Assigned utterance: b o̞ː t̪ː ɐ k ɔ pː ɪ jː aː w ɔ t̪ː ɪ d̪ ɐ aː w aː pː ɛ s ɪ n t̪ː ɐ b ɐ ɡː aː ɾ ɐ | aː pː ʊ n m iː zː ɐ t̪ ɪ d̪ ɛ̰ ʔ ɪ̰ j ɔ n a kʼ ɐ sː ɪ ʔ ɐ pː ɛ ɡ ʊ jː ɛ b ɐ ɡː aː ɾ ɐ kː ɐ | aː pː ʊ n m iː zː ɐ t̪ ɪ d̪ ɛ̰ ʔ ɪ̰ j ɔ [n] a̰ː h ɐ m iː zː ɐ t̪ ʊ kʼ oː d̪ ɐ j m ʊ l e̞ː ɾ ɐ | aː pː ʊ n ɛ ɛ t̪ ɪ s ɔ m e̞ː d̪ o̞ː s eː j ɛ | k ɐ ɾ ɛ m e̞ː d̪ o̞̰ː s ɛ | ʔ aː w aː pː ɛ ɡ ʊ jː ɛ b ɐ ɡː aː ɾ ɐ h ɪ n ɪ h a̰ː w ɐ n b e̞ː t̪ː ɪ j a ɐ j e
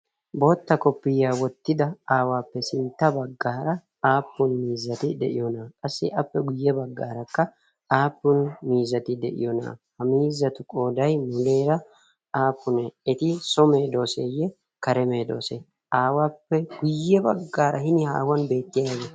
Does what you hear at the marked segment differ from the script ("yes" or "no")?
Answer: no